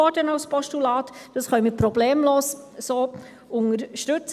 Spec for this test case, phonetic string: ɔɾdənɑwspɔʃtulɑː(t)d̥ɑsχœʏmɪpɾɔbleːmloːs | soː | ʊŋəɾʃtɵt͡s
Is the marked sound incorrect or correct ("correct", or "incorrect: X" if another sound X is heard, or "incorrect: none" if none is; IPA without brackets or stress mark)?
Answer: correct